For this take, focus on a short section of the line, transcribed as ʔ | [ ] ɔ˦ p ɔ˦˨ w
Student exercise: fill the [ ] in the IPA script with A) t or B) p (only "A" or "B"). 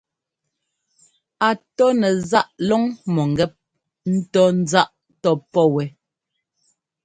A